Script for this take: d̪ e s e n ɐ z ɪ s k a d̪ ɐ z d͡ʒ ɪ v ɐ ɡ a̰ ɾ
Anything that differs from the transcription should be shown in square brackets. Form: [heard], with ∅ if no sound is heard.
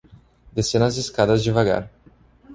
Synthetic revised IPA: d̪ e s e n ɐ z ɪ s k a d̪ ɐ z d͡ʒ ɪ v [a] ɡ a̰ ɾ